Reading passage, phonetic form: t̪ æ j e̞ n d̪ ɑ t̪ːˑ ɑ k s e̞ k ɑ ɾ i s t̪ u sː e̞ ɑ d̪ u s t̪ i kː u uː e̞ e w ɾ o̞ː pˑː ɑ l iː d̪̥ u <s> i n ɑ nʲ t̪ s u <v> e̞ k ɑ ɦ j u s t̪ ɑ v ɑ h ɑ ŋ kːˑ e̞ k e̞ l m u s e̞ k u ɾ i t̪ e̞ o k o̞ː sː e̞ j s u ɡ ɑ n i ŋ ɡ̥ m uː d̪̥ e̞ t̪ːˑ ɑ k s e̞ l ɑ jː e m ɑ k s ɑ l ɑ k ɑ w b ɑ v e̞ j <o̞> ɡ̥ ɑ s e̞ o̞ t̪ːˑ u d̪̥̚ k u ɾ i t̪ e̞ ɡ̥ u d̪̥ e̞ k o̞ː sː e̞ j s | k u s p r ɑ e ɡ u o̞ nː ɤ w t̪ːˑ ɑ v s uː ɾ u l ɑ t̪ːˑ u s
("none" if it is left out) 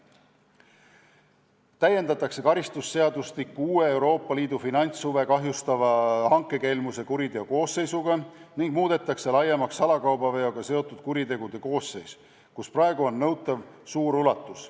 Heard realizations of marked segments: f, v, o̞

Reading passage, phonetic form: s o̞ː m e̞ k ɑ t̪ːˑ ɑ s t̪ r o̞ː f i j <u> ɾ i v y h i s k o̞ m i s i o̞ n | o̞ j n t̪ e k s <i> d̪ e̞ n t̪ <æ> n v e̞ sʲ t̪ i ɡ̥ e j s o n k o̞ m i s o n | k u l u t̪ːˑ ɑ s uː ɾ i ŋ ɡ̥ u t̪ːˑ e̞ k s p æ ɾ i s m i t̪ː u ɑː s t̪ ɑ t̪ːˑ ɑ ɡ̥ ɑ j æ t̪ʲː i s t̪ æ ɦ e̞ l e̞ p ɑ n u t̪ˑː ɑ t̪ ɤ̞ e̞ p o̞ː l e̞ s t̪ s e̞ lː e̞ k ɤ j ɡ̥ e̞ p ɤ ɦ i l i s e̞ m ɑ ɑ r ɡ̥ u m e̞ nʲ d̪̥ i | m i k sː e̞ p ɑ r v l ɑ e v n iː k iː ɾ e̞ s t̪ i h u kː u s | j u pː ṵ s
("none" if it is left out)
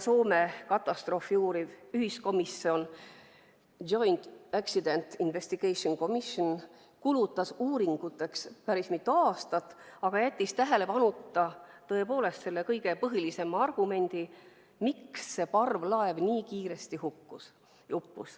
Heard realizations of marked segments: uː, i, i

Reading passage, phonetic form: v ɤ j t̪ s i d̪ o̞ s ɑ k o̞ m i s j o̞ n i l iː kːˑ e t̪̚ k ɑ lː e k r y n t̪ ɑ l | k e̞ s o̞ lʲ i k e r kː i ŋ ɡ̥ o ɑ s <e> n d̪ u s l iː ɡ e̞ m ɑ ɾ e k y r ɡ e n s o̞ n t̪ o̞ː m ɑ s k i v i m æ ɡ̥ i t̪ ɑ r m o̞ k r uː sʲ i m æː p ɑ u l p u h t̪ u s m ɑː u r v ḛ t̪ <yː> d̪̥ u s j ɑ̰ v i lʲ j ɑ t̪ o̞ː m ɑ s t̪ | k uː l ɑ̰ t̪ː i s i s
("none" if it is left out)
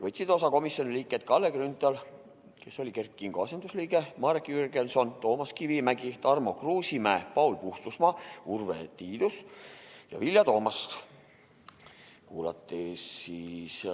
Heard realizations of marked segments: e, iː

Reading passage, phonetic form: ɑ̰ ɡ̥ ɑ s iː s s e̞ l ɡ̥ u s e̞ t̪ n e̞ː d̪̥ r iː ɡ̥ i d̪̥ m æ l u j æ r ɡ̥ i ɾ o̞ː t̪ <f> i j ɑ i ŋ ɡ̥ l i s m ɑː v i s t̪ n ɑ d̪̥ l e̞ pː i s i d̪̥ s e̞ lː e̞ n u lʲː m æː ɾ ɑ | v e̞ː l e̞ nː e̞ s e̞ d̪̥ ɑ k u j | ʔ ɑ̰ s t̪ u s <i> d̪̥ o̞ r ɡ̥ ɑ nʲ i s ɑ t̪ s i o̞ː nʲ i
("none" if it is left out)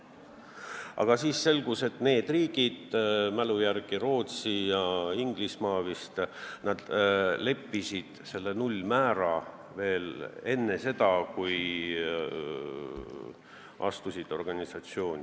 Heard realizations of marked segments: s, i

